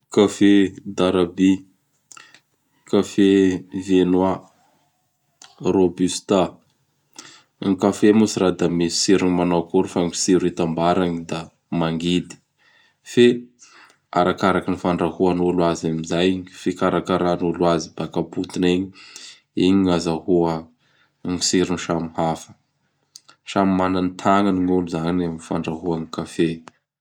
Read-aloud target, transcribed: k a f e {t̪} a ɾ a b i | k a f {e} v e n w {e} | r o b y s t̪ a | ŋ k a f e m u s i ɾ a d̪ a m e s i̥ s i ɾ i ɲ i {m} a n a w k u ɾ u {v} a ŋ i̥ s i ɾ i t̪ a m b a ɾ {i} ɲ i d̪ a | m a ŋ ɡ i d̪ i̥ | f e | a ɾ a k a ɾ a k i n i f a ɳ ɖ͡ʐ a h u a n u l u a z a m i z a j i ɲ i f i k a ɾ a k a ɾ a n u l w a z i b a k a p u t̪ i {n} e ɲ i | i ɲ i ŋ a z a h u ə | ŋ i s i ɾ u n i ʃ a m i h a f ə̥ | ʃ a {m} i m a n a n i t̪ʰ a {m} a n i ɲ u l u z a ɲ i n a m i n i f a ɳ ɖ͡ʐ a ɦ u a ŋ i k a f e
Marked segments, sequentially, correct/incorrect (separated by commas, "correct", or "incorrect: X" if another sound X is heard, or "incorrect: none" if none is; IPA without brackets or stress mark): incorrect: d̪, correct, incorrect: a, correct, incorrect: f, incorrect: a, correct, correct, incorrect: ŋ